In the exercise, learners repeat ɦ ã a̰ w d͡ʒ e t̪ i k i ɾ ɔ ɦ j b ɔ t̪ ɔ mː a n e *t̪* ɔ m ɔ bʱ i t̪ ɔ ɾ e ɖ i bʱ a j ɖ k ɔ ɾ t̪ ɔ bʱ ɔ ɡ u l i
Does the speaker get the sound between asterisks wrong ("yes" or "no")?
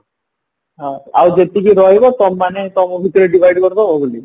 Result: no